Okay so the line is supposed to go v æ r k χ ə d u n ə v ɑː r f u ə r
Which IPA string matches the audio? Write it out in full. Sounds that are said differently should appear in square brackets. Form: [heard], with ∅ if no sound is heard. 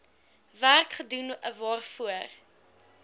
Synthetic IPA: v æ r k χ ə d u n ə v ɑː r f u ə r